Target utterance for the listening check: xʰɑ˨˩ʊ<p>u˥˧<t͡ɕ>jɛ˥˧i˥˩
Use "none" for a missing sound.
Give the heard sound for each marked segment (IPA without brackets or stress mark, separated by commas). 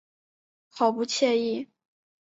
p, t͡ɕʰ